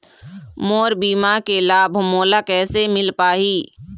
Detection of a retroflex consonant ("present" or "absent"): absent